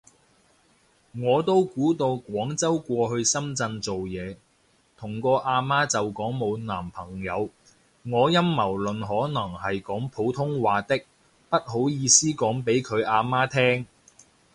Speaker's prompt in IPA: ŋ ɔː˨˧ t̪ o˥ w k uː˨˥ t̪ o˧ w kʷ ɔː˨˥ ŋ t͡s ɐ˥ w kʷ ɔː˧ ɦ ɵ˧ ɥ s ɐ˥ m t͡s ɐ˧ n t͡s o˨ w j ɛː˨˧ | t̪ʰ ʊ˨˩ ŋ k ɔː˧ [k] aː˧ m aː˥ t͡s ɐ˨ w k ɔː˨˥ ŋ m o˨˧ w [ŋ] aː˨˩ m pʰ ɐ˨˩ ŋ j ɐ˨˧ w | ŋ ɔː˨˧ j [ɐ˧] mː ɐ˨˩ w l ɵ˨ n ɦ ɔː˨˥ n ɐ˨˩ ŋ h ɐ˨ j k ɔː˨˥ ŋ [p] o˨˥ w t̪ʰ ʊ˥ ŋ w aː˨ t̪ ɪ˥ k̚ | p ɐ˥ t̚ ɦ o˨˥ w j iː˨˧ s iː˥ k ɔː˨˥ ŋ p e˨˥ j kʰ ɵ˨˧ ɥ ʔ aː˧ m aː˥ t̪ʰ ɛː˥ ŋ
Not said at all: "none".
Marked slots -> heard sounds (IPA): ʔ, n, ɐ˥, pʰ

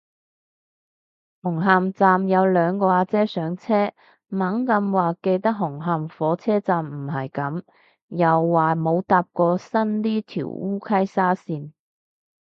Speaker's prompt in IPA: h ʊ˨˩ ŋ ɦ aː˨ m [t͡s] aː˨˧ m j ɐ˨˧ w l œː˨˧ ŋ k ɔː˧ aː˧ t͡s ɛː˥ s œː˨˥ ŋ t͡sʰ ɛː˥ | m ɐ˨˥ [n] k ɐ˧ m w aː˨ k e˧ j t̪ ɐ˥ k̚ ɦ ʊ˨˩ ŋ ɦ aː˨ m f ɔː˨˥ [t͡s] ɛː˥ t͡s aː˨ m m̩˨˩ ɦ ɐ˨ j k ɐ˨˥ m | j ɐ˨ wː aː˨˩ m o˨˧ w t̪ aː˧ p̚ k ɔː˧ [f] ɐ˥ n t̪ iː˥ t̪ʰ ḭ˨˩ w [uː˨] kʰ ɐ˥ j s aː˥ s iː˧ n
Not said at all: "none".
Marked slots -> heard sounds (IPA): t͡s, ŋ, t͡sʰ, s, uː˥

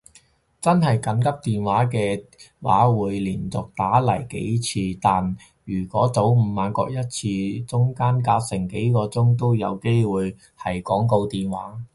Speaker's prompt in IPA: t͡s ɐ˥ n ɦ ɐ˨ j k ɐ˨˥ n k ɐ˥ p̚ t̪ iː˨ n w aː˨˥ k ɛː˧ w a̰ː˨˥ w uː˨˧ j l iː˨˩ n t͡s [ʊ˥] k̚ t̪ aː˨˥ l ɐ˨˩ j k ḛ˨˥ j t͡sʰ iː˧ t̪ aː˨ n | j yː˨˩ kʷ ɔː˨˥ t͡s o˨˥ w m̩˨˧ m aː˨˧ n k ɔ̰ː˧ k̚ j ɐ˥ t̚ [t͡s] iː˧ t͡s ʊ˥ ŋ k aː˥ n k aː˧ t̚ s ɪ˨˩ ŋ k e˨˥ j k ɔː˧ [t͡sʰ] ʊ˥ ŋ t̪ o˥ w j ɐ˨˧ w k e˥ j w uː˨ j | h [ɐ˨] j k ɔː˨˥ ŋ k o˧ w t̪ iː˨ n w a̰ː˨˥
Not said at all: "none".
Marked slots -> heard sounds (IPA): ʊ˨, t͡sʰ, t͡s, ɐ˨

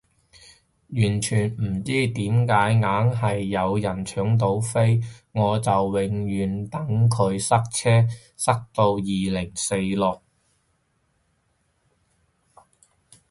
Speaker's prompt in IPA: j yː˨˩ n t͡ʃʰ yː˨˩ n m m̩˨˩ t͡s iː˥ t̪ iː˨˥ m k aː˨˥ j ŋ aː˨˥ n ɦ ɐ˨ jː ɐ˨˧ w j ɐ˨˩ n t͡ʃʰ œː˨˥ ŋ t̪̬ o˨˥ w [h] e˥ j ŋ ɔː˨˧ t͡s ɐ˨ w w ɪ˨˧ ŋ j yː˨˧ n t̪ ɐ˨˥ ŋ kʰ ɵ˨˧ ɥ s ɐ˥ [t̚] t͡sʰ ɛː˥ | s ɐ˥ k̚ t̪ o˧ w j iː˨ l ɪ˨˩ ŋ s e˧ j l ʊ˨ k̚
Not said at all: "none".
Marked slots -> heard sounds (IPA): f, k̚

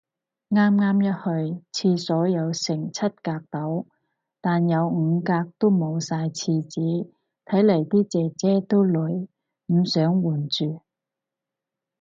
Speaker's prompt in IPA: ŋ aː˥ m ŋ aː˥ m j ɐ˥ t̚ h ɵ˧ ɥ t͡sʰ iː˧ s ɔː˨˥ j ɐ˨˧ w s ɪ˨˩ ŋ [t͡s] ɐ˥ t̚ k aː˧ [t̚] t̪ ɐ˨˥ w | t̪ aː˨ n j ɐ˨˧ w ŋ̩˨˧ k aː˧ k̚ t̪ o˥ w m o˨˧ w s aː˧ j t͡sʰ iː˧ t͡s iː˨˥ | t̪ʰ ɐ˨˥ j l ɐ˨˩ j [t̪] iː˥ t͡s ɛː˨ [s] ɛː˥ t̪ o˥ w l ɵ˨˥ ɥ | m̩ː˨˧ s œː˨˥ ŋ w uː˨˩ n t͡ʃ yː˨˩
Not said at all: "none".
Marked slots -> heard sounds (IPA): t͡sʰ, k̚, t̪, t͡s

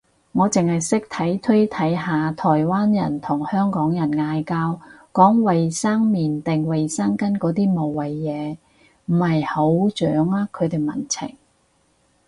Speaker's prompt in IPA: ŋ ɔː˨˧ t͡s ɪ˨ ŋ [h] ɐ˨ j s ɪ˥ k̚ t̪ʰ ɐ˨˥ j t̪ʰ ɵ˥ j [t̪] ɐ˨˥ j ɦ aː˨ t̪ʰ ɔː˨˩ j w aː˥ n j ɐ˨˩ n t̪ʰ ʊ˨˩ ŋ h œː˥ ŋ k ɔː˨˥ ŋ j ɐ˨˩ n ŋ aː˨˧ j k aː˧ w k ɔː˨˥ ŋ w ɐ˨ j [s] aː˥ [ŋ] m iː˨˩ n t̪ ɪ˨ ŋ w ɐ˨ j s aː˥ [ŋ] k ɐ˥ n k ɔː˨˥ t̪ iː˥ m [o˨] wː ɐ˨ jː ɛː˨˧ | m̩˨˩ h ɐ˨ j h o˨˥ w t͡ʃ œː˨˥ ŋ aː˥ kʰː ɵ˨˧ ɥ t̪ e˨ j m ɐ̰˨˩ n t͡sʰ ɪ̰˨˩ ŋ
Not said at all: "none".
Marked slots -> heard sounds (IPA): h, t̪ʰ, s, ŋ, ŋ, o˨

